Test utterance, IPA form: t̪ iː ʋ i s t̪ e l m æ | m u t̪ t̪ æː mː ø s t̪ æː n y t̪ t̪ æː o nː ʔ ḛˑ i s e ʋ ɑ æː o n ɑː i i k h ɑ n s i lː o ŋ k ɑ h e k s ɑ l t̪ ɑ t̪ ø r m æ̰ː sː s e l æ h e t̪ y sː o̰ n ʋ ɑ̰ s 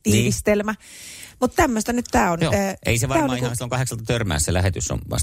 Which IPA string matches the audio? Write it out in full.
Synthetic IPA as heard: t̪ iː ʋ i s t̪ e l m æ | m u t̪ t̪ æ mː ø s t̪ æ n y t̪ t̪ æː o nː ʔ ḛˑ i s e ʋ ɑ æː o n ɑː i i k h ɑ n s i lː o ŋ k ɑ h e k s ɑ l t̪ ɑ t̪ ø r m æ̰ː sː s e l æ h e t̪ y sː o̰ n ʋ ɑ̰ s